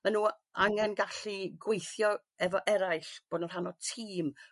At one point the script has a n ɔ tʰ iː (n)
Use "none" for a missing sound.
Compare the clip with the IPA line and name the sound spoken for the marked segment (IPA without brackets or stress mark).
m